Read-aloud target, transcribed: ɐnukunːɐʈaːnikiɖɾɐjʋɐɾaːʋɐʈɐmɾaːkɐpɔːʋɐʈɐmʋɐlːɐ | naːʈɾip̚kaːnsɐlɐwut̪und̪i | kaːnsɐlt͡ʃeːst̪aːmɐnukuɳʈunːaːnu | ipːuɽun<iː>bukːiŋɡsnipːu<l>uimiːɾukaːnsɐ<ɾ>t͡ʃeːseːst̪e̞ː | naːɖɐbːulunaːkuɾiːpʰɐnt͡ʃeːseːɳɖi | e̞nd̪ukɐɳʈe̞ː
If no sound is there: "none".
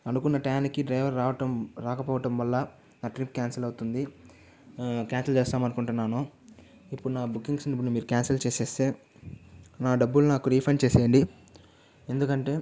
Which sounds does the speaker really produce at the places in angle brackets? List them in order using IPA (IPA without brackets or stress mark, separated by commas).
aː, ɽ, l